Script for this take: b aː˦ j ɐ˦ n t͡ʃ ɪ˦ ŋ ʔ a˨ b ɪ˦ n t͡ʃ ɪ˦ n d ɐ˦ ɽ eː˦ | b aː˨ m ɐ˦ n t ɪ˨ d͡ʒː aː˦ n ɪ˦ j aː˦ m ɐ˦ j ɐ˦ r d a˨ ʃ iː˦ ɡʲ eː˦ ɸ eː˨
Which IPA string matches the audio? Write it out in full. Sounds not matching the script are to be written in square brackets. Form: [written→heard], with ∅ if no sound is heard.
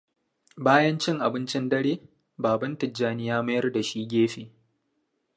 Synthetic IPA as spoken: b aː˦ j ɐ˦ n t͡ʃ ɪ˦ ŋ ʔ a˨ b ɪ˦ n t͡ʃ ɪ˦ n d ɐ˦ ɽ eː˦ | b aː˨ [m→b] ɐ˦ n t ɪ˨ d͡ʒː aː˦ n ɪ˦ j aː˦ m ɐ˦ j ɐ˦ r d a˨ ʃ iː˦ ɡʲ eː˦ ɸ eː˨